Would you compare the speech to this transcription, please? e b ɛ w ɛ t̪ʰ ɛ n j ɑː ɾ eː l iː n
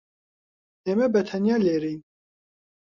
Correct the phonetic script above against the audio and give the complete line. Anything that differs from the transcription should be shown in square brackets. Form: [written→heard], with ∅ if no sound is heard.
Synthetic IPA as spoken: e [b→m] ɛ [w→b] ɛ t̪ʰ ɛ n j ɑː [ɾ→l] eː [l→ɾ] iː n